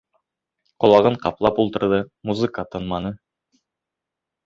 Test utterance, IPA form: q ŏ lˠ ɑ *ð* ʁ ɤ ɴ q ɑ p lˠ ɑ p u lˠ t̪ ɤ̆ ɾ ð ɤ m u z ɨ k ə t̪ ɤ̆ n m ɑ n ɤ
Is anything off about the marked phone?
yes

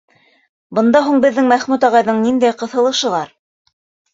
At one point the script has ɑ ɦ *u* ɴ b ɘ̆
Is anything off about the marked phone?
no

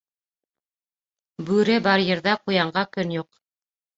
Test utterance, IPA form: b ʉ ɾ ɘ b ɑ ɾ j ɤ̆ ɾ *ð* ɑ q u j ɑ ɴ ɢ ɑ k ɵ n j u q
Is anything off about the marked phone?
no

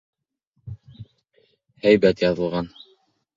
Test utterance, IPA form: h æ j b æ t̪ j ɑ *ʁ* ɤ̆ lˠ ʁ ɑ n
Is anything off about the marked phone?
yes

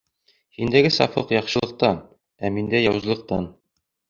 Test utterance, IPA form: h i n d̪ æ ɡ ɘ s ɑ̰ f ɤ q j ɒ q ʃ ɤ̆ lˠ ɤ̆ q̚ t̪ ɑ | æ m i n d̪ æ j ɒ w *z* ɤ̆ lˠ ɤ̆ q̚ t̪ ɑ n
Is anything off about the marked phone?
no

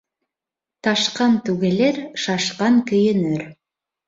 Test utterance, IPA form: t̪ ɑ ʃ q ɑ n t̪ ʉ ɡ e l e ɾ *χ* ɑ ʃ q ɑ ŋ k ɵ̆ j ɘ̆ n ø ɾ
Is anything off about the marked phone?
yes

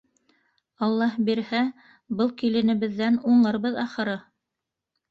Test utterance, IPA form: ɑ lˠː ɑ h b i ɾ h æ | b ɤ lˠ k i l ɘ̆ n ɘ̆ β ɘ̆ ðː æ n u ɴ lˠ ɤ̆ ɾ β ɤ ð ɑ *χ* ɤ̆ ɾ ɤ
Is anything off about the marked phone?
no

